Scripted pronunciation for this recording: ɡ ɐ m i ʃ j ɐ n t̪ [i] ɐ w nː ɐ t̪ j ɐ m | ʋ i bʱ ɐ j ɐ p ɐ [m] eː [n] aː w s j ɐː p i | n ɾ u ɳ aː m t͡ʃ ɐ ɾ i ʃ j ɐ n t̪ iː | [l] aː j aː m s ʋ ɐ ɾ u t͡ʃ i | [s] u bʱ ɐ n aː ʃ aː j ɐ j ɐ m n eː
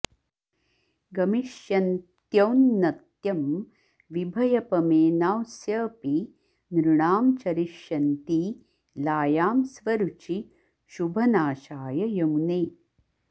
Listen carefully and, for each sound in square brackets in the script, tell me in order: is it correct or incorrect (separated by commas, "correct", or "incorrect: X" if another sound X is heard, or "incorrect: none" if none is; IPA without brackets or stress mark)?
incorrect: j, correct, correct, correct, incorrect: ʃ